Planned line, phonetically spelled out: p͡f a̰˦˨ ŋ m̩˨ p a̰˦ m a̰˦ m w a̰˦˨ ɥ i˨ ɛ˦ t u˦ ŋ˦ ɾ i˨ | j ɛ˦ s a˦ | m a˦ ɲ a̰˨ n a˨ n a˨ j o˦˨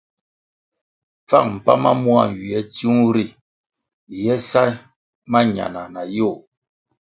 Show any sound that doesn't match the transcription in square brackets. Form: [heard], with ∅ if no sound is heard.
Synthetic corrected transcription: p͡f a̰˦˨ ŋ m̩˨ p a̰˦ m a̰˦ m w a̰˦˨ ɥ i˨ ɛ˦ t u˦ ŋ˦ ɾ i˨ | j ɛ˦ s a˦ | m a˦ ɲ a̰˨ n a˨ n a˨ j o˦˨